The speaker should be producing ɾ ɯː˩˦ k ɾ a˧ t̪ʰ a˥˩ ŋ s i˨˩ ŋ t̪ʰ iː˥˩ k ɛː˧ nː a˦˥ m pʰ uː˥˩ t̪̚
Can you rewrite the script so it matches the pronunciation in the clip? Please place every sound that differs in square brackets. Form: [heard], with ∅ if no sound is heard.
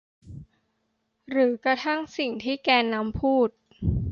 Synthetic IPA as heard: ɾ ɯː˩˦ k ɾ a˧ t̪ʰ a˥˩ ŋ s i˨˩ ŋ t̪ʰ iː˥˩ k ɛː˧ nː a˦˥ m pʰ uː˥˩ t̪̚